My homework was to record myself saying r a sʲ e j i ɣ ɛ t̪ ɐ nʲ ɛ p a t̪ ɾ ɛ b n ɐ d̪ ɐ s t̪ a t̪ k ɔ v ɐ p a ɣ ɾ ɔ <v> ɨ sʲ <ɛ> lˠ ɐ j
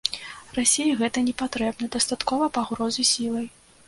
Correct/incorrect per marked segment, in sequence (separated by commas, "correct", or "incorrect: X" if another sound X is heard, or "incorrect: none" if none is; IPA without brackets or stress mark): incorrect: z, incorrect: i